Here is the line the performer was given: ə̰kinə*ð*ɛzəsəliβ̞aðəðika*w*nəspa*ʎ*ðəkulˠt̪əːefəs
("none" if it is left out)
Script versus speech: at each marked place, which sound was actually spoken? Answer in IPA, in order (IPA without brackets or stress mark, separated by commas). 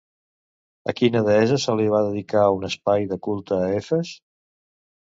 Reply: ð, u, j